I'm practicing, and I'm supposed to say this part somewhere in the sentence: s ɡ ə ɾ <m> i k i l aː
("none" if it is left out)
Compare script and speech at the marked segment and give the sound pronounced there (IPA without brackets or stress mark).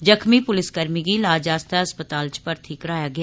m